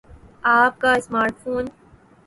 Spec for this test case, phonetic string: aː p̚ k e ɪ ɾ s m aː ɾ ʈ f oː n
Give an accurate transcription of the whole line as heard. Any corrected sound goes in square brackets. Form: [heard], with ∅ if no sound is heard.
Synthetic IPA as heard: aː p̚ k [a] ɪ [∅] s m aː ɾ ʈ f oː n

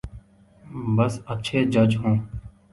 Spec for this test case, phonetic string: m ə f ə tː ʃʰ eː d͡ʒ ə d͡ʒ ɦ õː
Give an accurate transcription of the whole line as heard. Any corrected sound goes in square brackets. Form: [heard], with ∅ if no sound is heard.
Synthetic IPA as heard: [b] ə [s] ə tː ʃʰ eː d͡ʒ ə d͡ʒ ɦ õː

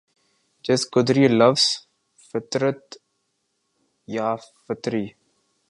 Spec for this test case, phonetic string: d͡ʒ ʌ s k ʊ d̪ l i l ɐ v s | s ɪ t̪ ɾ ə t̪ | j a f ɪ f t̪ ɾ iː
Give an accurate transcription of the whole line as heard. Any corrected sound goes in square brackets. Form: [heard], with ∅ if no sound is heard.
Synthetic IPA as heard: d͡ʒ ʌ s k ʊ d̪ [ɾ] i l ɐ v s | [f] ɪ t̪ ɾ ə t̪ | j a f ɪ [∅] t̪ ɾ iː

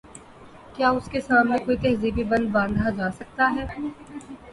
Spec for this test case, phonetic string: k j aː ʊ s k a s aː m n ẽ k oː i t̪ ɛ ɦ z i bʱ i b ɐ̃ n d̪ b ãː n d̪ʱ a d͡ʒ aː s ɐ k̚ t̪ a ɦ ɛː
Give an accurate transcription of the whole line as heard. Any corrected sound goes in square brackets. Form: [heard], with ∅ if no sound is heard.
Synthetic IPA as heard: k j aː ʊ s k [e] s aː m n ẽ k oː i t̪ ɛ ɦ z i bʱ i b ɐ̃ n d̪ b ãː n d̪ʱ a d͡ʒ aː s ɐ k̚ t̪ a ɦ ɛː

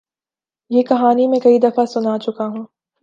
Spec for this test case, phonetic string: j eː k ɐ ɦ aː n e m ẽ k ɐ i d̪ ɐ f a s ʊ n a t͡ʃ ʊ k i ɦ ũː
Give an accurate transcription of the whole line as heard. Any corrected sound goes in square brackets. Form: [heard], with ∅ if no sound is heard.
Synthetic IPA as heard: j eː k ɐ ɦ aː n [i] m ẽ k ɐ i d̪ ɐ f a s ʊ n a t͡ʃ ʊ k [a] ɦ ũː

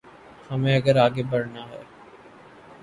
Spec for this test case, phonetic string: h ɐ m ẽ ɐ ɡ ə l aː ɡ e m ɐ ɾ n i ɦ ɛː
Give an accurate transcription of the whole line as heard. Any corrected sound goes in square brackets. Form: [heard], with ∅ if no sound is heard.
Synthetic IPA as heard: h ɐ m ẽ ɐ ɡ ə [ɾ] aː ɡ e [b] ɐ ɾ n [a] ɦ ɛː

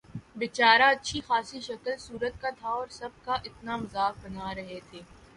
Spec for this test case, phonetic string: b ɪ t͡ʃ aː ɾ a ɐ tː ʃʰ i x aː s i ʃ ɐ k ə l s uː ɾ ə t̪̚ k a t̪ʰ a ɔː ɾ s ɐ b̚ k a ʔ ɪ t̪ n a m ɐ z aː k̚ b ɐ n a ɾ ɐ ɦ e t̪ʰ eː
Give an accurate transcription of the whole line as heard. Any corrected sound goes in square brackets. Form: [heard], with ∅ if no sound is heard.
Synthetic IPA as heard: b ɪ t͡ʃ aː ɾ a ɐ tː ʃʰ i x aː s i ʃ ɐ k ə l s uː ɾ ə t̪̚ k a t̪ʰ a ɔː ɾ s ɐ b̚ k a ʔ ɪ t̪ n a m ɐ z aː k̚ b ɐ n a ɾ ɐ ɦ e t̪ʰ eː

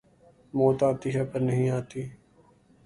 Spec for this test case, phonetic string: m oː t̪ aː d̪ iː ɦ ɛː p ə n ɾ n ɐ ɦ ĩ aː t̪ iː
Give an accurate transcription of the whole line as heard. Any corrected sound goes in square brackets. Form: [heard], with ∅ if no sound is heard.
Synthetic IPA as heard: m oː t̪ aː [t̪] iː ɦ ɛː p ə [∅] ɾ n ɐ ɦ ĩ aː t̪ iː

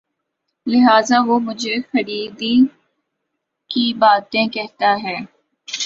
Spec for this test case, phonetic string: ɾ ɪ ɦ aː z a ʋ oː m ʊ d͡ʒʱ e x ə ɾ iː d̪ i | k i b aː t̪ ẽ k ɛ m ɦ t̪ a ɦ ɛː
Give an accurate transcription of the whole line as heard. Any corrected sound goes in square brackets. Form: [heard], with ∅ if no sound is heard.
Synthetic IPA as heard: [l] ɪ ɦ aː z a ʋ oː m ʊ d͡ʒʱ e x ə ɾ iː d̪ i | k i b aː t̪ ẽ k ɛ [∅] ɦ t̪ a ɦ ɛː

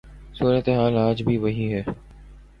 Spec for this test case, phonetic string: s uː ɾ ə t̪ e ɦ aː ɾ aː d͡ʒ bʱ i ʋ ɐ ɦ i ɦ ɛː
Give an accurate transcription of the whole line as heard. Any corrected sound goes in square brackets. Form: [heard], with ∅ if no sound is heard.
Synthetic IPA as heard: s uː ɾ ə t̪ e ɦ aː [l] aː d͡ʒ bʱ i ʋ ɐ ɦ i ɦ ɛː

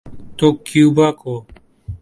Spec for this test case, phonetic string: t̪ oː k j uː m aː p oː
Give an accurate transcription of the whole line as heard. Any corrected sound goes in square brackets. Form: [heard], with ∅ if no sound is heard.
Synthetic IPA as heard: t̪ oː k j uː [b] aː [k] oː

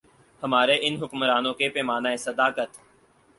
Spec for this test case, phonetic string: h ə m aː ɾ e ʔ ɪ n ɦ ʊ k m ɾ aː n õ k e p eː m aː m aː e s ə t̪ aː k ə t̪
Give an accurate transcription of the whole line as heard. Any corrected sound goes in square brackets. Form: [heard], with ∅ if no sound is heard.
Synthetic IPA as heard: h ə m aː ɾ e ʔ ɪ n ɦ ʊ k m ɾ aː n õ k e p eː m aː [n] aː e s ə [d̪] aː k ə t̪

